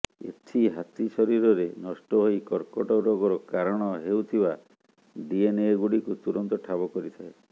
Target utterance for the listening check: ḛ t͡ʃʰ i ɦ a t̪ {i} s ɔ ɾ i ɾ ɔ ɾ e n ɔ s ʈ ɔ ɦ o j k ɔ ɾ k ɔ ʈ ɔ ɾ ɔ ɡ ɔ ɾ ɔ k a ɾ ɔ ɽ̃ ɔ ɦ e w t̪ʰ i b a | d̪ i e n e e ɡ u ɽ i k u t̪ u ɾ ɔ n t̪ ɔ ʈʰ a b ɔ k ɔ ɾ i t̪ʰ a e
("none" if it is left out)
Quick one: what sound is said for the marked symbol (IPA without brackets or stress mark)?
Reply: i